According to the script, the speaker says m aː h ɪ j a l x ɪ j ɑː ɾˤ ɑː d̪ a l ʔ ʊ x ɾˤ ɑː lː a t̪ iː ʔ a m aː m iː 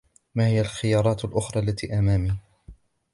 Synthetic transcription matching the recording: m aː h ɪ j a l x ɪ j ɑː ɾˤ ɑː t̪ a l ʔ ʊ x ɾˤ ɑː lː a t̪ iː ʔ a m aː m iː